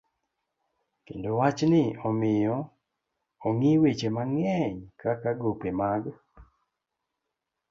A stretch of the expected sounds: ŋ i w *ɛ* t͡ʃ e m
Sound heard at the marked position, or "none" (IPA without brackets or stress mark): e